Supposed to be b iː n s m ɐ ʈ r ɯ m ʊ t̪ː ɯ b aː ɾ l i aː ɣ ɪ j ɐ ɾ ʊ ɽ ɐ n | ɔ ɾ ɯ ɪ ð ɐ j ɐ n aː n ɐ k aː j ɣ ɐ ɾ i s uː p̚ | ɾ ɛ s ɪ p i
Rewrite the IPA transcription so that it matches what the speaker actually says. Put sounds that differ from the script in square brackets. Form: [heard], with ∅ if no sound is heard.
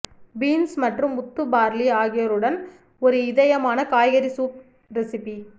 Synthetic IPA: b iː n s m ɐ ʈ r ɯ m ʊ t̪ː ɯ b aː ɾ l i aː ɣ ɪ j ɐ ɾ [ɯ] ɽ ɐ n | ɔ ɾ ɯ ɪ ð ɐ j ɐ [m] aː n ɐ k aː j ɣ ɐ ɾ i s uː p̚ | ɾ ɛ s ɪ p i